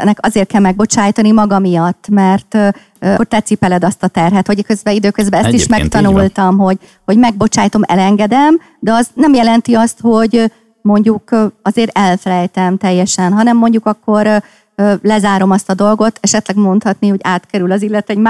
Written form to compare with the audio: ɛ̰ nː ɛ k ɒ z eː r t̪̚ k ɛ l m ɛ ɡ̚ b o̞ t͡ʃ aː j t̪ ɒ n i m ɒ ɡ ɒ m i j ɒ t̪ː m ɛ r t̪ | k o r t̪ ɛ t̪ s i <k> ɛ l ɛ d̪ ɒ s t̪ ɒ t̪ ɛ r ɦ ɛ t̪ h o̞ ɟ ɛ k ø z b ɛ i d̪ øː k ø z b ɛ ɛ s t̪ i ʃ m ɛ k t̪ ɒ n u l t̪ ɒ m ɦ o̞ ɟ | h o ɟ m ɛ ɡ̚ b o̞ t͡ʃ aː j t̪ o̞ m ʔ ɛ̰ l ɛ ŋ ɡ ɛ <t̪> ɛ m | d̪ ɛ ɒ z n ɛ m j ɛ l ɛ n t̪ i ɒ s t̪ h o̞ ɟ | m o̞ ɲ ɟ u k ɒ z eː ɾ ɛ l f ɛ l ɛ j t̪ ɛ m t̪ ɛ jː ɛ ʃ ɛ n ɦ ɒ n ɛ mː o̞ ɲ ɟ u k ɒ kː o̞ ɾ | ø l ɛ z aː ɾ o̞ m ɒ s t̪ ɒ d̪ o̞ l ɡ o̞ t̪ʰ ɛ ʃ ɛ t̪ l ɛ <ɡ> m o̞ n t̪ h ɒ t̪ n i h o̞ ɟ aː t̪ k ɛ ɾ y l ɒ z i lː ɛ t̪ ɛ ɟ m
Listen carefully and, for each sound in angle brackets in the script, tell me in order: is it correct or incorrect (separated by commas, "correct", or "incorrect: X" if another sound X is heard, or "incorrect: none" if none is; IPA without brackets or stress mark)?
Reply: incorrect: p, incorrect: d̪, correct